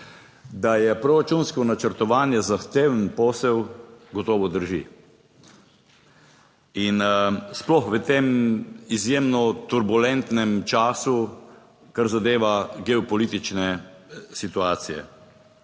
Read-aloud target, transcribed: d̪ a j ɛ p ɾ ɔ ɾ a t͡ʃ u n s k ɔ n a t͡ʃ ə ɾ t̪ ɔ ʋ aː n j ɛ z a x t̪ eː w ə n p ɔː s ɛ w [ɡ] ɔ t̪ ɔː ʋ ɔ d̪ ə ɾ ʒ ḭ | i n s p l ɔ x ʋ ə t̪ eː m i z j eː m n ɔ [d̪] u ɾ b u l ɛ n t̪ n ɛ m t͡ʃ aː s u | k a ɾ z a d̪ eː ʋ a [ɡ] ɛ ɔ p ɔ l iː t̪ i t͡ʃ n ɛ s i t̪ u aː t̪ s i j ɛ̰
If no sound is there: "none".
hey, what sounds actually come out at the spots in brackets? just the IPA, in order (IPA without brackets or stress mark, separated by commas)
ɡ, t̪, ɡ